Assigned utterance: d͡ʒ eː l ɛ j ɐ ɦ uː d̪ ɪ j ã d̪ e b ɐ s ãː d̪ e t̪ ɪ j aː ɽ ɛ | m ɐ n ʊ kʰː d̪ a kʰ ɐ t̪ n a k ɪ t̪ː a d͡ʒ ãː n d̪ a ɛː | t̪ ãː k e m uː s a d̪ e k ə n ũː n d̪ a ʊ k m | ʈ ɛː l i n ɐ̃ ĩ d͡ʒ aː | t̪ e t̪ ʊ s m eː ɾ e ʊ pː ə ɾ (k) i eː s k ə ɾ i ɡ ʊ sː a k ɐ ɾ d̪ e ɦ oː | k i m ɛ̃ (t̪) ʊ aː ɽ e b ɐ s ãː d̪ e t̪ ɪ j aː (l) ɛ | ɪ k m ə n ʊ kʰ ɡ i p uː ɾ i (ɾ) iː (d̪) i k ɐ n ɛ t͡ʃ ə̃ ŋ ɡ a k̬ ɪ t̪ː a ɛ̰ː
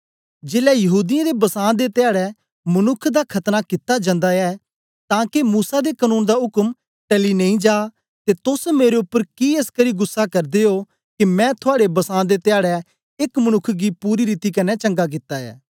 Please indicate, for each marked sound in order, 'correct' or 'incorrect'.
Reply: correct, incorrect: t̪ʰ, incorrect: ɽ, correct, incorrect: t̪

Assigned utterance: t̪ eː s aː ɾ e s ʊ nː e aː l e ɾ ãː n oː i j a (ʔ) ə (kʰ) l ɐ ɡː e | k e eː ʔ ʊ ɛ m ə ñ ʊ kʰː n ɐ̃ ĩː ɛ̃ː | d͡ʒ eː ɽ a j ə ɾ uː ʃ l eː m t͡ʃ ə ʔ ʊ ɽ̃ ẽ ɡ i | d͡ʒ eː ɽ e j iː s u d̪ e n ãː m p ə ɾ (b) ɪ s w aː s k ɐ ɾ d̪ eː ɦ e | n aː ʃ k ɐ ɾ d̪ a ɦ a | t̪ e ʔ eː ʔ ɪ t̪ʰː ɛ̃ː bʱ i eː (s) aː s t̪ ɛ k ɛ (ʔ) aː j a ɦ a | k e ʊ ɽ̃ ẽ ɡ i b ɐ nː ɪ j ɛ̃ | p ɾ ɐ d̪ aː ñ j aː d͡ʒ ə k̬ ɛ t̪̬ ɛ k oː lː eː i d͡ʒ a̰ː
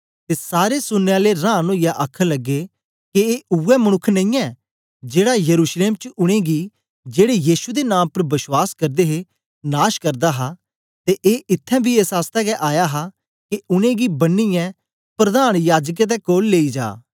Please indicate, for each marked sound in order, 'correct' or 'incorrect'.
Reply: correct, correct, correct, correct, correct

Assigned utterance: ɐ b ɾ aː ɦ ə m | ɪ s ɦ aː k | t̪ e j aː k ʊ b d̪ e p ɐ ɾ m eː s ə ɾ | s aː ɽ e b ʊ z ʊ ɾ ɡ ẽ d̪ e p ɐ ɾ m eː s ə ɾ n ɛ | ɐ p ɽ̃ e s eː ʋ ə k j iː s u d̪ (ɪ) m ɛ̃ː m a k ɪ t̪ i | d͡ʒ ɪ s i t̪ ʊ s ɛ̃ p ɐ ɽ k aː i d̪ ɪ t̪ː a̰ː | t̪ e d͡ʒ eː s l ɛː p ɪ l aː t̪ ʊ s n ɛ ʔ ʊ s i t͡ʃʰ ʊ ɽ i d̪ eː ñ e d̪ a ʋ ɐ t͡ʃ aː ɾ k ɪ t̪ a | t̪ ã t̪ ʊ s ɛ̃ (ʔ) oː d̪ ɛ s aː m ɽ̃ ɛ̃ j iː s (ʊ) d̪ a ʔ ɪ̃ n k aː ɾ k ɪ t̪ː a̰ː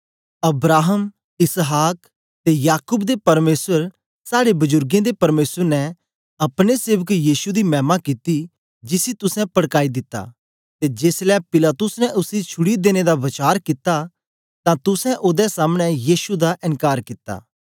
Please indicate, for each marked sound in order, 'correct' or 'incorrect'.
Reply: incorrect: i, correct, incorrect: u

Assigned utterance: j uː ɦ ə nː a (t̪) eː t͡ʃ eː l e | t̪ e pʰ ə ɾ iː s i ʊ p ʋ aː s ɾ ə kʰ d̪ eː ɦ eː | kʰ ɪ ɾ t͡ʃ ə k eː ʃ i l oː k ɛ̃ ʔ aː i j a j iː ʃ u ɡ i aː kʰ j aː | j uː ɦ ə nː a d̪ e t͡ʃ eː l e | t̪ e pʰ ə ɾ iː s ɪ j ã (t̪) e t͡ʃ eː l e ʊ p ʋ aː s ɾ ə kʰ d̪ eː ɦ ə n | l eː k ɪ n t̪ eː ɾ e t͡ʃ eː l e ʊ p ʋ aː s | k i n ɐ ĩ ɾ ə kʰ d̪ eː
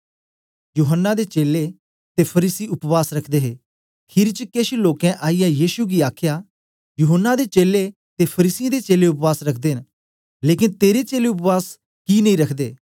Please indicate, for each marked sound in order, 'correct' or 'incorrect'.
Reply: incorrect: d̪, incorrect: d̪

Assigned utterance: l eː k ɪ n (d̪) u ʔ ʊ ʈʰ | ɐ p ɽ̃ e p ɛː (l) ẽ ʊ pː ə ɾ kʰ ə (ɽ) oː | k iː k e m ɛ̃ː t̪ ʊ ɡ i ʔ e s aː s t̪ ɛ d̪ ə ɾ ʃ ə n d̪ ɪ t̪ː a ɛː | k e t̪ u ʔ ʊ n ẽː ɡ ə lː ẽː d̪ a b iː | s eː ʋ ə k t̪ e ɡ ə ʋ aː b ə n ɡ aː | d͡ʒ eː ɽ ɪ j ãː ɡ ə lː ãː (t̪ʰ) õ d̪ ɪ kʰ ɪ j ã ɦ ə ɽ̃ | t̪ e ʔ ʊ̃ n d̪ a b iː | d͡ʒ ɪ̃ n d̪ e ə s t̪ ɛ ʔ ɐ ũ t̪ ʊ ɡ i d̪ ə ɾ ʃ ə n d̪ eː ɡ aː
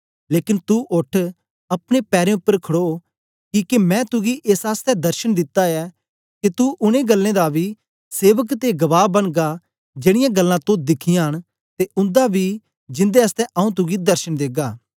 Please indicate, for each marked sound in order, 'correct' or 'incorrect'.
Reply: incorrect: t̪, incorrect: ɾ, correct, incorrect: t̪

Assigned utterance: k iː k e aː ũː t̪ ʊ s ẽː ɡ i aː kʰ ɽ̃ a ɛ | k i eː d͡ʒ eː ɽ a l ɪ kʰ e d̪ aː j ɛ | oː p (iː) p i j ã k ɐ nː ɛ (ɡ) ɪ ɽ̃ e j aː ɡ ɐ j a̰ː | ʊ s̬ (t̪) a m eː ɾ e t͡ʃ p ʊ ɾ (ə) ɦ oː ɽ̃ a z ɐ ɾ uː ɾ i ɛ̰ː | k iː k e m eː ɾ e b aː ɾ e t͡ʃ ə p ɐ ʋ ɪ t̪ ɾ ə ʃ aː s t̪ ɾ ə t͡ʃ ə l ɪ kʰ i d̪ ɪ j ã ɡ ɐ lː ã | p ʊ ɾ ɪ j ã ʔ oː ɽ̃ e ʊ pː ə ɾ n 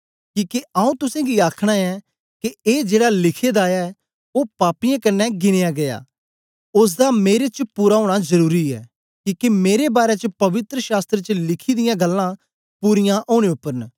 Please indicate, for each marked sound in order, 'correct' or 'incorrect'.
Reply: incorrect: aː, correct, incorrect: d̪, incorrect: a

